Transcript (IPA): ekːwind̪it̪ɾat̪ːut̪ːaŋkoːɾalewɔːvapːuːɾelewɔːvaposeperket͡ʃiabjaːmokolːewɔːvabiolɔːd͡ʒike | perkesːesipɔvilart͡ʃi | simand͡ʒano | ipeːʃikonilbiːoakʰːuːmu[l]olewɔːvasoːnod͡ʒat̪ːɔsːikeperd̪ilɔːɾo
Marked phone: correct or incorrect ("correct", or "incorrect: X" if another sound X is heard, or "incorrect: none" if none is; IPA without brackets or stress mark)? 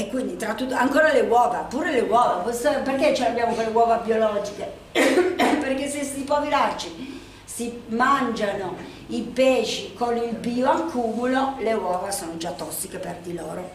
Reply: correct